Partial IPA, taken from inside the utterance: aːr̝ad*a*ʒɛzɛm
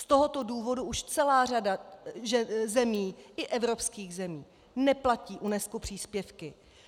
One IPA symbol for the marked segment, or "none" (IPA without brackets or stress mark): a